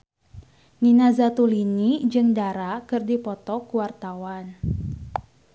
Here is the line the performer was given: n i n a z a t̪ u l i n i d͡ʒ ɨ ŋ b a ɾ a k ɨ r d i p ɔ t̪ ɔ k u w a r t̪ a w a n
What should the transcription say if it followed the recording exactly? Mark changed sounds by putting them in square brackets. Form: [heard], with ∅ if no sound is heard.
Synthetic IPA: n i n a z a t̪ u l i n i d͡ʒ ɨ ŋ [d] a ɾ a k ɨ r d i p ɔ t̪ ɔ k u w a r t̪ a w a n